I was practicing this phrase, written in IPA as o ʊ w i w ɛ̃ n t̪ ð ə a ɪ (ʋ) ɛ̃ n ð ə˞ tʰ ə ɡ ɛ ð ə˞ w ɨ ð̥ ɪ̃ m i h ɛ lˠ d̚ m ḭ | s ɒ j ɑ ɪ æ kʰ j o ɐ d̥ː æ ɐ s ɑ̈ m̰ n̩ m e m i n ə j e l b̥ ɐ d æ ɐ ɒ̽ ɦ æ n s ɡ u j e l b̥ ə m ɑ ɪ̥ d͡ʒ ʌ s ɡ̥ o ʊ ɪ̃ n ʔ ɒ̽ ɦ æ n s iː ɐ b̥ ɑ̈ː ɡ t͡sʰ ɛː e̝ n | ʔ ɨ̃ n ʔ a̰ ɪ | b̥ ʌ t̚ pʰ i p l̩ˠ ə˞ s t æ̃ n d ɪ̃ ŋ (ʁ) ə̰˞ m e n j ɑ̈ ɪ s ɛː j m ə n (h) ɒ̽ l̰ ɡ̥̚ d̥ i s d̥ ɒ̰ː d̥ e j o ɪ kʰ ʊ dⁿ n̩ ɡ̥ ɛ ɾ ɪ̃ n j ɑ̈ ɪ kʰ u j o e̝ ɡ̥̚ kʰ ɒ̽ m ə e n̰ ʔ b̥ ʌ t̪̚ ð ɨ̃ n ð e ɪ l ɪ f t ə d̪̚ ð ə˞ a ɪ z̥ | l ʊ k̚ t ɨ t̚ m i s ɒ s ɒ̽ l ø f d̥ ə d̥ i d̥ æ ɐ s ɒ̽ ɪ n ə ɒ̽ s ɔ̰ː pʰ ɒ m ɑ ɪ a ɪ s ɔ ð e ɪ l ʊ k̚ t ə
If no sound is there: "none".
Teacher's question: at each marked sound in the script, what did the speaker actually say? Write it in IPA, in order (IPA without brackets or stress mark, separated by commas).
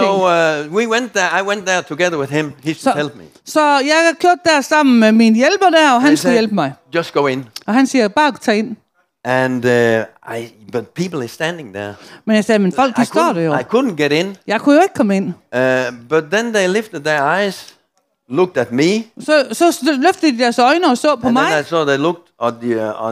w, ð, f